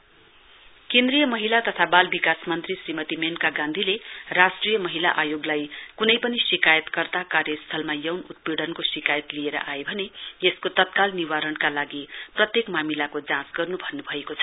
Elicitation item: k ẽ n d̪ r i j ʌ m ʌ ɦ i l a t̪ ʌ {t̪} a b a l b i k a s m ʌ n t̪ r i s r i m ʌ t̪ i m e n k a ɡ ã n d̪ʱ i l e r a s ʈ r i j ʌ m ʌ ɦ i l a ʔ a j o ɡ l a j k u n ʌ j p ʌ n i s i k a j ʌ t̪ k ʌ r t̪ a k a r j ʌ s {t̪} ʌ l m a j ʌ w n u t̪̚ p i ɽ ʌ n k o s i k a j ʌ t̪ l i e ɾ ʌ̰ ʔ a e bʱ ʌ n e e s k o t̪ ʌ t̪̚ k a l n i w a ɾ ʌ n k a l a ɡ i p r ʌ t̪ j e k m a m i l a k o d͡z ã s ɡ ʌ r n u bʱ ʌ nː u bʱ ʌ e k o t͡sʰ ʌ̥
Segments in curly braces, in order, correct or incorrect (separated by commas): incorrect, incorrect